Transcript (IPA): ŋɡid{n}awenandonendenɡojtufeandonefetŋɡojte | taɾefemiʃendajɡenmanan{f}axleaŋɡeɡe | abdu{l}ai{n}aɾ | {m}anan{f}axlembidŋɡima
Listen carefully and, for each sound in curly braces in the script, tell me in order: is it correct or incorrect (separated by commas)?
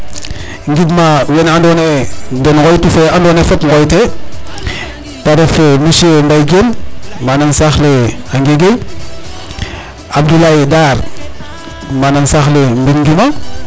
incorrect, incorrect, correct, incorrect, correct, incorrect